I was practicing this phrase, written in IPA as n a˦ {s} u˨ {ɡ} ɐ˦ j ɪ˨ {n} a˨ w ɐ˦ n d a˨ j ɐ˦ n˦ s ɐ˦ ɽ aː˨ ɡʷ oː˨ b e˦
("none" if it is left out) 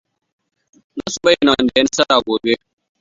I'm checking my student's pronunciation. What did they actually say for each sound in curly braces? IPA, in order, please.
s, b, n

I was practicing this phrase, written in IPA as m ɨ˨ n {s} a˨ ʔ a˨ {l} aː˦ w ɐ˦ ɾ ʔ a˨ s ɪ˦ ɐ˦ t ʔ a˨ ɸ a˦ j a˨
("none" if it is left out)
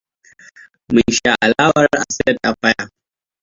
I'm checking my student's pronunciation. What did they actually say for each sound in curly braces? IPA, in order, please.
ʃ, l

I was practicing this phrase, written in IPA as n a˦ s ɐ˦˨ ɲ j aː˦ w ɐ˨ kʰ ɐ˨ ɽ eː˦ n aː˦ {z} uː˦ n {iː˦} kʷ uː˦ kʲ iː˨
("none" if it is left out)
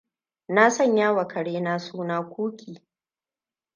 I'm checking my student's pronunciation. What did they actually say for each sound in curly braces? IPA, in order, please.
s, aː˦

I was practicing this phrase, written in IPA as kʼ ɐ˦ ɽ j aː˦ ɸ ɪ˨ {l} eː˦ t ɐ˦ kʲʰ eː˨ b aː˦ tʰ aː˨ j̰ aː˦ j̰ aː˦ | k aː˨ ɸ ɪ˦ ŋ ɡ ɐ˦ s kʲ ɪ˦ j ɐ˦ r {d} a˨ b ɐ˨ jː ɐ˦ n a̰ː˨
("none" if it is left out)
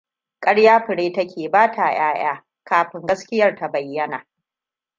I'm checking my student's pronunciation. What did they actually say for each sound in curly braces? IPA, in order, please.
ɽ, t

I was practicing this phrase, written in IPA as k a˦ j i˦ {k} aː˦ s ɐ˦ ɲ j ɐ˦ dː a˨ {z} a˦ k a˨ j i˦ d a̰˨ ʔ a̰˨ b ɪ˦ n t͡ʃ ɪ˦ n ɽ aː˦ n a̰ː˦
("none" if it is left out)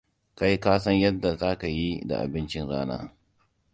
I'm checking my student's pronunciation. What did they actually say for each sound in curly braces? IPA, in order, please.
k, z

